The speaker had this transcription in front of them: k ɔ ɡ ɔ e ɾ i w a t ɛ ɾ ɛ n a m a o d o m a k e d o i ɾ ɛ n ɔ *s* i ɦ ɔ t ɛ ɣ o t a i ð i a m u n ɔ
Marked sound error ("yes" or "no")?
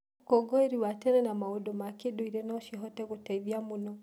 yes